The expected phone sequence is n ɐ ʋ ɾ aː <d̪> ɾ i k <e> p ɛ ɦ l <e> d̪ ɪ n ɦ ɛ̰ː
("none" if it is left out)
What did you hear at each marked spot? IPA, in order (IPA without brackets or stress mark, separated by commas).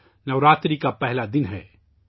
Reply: t̪, a, a